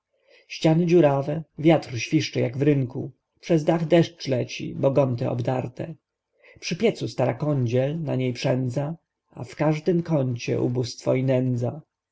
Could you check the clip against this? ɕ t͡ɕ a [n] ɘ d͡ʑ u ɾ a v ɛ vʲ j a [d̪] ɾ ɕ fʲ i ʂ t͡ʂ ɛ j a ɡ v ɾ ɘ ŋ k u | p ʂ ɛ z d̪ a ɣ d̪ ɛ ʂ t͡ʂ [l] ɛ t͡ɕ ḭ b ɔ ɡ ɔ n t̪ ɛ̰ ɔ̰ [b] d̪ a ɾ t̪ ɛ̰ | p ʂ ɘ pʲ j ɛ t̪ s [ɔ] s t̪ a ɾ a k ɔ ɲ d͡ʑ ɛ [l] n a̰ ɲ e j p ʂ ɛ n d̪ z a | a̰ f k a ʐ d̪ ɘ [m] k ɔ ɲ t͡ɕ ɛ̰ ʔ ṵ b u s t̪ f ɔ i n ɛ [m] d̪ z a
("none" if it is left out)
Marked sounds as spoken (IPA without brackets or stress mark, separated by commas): n, t̪, l, b, u, l, m, n